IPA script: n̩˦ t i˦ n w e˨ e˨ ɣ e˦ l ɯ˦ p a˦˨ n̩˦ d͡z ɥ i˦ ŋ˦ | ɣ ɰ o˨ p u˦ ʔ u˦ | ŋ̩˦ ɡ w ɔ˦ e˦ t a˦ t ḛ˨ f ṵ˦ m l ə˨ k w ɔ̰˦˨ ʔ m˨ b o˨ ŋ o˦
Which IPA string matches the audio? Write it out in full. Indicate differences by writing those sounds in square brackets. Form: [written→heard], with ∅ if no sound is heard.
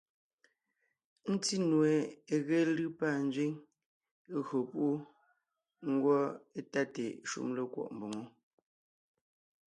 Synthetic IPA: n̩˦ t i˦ n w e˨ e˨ ɣ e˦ l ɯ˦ p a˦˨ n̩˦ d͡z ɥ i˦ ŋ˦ | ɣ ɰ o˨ p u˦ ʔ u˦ | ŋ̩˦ ɡ w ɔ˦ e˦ t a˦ t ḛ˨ [f→ʃ] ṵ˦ m l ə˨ k w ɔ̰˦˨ ʔ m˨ b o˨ ŋ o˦